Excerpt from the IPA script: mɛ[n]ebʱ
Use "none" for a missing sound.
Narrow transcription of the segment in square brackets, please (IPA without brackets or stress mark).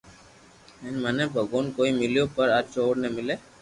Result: n